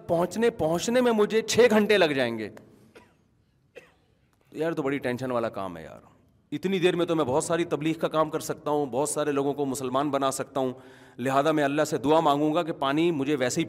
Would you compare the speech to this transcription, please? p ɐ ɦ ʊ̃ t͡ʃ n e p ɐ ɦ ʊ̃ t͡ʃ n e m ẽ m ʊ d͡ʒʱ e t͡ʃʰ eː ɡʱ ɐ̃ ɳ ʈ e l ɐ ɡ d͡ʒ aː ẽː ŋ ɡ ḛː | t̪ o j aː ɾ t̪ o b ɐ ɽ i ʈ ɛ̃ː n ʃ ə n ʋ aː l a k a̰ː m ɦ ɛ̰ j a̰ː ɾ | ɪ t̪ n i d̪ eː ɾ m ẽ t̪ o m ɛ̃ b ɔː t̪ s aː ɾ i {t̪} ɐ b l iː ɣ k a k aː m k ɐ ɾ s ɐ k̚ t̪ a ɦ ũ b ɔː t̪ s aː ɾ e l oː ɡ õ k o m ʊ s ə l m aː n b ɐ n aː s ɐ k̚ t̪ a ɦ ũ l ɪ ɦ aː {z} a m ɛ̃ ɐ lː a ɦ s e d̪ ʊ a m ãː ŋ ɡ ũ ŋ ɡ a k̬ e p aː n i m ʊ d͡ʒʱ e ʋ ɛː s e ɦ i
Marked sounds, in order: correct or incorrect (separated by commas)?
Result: correct, correct